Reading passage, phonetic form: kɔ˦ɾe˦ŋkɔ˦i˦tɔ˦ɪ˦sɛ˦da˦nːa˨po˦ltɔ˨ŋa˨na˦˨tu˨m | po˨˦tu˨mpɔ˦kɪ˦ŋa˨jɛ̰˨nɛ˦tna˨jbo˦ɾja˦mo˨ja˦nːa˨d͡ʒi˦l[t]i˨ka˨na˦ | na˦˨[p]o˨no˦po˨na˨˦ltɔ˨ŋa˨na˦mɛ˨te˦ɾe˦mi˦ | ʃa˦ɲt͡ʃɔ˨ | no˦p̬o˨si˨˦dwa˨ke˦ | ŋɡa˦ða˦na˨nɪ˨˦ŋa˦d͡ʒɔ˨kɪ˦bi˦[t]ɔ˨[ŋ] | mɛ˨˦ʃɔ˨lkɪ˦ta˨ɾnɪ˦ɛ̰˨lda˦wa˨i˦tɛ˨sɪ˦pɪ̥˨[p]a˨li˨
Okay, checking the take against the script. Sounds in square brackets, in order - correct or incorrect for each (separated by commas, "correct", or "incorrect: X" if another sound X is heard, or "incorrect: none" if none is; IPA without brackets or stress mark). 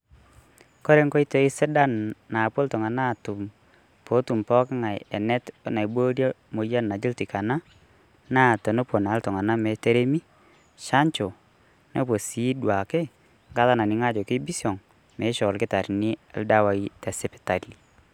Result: correct, incorrect: t, incorrect: s, correct, incorrect: t